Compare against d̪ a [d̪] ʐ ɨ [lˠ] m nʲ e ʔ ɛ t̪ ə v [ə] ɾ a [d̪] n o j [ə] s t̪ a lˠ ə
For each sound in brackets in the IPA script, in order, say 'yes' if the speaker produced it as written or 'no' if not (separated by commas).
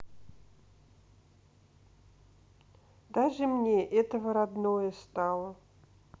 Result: no, no, yes, yes, yes